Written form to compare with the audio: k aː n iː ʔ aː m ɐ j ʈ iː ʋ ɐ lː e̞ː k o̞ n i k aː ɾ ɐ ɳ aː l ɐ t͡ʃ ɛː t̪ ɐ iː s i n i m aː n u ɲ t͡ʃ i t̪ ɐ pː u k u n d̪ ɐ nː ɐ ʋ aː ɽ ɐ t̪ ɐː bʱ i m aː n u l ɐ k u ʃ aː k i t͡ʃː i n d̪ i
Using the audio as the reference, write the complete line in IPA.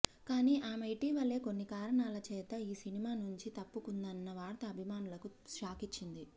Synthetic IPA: k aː n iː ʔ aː m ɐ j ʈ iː ʋ ɐ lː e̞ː k o̞ nː i k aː ɾ ɐ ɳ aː l ɐ t͡ʃ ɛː t̪ ɐ iː s i n i m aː n u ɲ t͡ʃ i t̪ ɐ pː u k u n d̪ ɐ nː ɐ ʋ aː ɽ ɐ t̪ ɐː bʱ i m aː n u l ɐ k u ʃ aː k i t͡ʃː i n d̪ i

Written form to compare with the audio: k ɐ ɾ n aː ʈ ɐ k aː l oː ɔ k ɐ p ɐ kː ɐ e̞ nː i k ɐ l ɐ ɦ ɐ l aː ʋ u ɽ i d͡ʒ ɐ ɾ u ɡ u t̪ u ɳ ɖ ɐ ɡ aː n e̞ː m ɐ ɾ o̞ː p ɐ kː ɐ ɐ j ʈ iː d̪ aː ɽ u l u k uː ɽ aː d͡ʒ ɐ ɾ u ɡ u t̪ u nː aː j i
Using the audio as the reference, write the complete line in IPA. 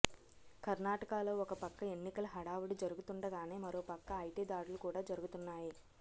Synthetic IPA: k ɐ ɾ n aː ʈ ɐ k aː l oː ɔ k ɐ p ɐ kː ɐ e̞ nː i k ɐ l ɐ ɦ ɐ ɽ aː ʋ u ɽ i d͡ʒ ɐ ɾ u ɡ u t̪ u ɳ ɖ ɐ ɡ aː n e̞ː m ɐ ɾ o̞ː p ɐ kː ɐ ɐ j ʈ iː d̪ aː ɽ u l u k uː ɽ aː d͡ʒ ɐ ɾ u ɡ u t̪ u nː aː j i

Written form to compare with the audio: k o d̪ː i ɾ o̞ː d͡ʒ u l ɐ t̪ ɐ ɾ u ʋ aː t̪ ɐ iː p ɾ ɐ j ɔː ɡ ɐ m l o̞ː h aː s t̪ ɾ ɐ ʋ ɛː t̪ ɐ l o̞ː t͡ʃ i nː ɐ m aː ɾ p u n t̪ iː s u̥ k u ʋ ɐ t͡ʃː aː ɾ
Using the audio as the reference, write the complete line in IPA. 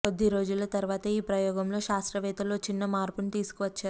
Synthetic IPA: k o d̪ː i ɾ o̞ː d͡ʒ u l ɐ t̪ ɐ ɾ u ʋ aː t̪ ɐ iː p ɾ ɐ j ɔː ɡ ɐ m l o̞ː ʃ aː s t̪ ɾ ɐ ʋ ɛː t̪ ɐ l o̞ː t͡ʃ i nː ɐ m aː ɾ p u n t̪ iː s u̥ k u ʋ ɐ t͡ʃː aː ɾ

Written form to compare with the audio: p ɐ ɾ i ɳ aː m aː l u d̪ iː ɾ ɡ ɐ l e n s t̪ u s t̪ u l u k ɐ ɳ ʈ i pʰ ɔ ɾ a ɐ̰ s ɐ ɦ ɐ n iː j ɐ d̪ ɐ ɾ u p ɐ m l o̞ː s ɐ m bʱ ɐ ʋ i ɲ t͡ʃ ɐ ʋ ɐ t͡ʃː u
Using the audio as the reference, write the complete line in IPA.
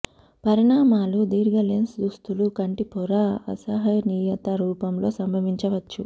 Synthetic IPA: p ɐ ɾ i ɳ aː m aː l u d̪ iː ɾ ɡ ɐ l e n s d̪ u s t̪ u l u k ɐ ɳ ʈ i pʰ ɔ ɾ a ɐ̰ s ɐ ɦ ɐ n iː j ɐ t̪ ɐ ɾ uː p ɐ m l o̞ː s ɐ m bʱ ɐ ʋ i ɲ t͡ʃ ɐ ʋ ɐ t͡ʃː u

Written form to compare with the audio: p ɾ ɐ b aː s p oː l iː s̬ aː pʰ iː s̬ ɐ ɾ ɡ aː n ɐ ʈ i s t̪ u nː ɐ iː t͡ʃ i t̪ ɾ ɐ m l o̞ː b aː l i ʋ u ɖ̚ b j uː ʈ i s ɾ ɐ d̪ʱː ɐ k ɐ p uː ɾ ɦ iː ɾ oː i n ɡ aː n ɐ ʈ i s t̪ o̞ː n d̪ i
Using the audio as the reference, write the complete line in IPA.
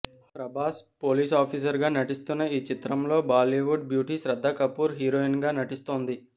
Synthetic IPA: p ɾ ɐ b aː s p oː l iː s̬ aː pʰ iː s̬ ɐ ɾ ɡ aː n ɐ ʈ i s t̪ u nː ɐ iː t͡ʃ i t̪ ɾ ɐ m l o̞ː b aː l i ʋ u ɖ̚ b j uː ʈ i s ɾ ɐ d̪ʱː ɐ k ɐ p uː ɾ ɦ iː ɾ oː i n ɡ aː n ɐ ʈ i s t̪ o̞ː n d̪ i

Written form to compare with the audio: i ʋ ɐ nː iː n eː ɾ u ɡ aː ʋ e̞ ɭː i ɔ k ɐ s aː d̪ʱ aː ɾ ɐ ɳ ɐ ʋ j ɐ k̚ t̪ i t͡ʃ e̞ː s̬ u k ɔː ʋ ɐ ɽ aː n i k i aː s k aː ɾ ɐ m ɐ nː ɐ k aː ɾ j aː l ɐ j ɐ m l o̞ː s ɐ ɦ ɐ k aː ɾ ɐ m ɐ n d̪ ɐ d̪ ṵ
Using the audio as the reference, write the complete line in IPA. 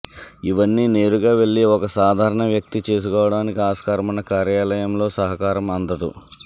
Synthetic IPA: i ʋ ɐ nː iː n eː ɾ u ɡ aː ʋ e̞ ɭː i ɔ k ɐ s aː d̪ʱ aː ɾ ɐ ɳ ɐ ʋ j ɐ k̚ t̪ i t͡ʃ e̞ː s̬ u k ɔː ʋ ɐ ɽ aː n i k i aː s k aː ɾ ɐ m ɐ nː ɐ k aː ɾ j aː l ɐ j ɐ m l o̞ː s ɐ ɦ ɐ k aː ɾ ɐ m ɐ n d̪ ɐ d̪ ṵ

